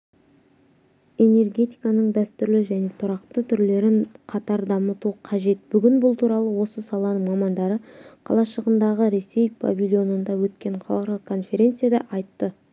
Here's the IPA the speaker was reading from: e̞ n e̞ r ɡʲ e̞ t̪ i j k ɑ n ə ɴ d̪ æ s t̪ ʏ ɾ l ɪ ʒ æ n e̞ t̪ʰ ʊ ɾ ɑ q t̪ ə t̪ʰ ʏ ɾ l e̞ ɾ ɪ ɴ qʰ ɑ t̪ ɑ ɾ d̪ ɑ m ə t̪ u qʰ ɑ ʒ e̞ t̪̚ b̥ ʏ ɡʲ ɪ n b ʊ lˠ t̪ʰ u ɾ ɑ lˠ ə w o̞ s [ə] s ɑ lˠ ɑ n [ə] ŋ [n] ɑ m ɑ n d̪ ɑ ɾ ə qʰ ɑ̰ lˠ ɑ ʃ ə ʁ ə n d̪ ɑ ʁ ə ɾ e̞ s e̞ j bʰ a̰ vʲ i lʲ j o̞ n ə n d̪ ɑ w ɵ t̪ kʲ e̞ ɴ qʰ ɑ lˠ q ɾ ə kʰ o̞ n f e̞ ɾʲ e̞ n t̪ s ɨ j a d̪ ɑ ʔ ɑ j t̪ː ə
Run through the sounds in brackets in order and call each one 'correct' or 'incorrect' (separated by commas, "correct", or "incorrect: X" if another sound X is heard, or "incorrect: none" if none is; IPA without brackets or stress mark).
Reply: correct, correct, incorrect: m